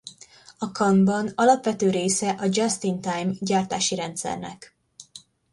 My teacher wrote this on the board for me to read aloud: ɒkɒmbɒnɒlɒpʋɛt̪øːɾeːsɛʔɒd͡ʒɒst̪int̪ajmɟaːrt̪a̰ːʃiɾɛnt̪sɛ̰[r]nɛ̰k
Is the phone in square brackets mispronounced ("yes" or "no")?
no